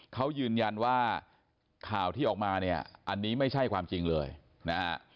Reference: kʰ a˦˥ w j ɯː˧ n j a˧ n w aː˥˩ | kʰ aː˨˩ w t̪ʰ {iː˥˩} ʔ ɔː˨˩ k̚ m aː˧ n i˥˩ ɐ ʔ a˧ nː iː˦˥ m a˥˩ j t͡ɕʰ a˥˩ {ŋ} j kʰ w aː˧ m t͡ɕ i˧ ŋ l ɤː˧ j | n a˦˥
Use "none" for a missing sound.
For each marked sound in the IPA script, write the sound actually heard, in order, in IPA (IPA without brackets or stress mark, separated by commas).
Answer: iː˥˩, none